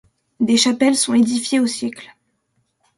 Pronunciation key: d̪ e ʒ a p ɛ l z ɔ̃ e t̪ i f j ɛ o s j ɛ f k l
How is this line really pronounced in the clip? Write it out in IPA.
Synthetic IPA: d̪ e ʃ a p ɛ l s ɔ̃ e d̪ i f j e o s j ɛ k l